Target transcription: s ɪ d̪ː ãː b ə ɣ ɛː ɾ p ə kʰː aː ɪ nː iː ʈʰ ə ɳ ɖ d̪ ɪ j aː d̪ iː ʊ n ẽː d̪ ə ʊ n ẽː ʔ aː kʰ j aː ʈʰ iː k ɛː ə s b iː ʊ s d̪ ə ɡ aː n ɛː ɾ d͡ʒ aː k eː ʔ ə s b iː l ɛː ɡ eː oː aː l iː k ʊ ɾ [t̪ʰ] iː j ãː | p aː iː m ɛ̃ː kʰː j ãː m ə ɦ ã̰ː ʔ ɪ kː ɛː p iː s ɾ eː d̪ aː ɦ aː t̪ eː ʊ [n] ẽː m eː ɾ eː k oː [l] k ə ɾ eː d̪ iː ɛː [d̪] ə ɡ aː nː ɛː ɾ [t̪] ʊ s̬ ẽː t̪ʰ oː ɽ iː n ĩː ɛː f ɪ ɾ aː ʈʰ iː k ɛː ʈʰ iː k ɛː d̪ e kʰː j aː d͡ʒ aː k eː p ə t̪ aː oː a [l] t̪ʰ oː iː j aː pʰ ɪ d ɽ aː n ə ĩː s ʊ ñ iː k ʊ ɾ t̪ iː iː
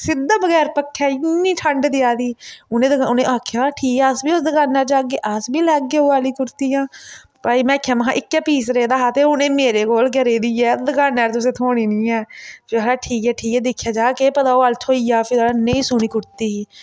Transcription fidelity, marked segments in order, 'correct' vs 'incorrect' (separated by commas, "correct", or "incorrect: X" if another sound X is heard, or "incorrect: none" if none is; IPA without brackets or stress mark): incorrect: t̪, correct, correct, correct, correct, correct